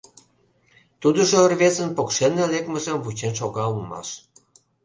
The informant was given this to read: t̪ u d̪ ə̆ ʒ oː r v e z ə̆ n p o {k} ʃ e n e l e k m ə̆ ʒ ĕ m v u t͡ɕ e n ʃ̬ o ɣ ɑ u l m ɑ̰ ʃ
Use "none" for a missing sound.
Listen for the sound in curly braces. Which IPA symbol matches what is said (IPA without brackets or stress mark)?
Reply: k